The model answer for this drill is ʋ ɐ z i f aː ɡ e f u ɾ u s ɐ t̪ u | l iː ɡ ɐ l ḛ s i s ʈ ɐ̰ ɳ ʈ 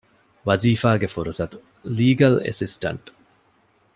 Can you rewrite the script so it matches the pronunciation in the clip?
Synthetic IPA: ʋ ɐ z iː f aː ɡ e f u ɾ u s ɐ t̪ u | l iː ɡ ɐ l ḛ s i s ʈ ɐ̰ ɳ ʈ